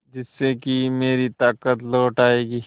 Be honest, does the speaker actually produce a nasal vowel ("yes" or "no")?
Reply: no